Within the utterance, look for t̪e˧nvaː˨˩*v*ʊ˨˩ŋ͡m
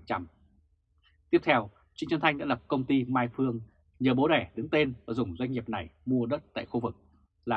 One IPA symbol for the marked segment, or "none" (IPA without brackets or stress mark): z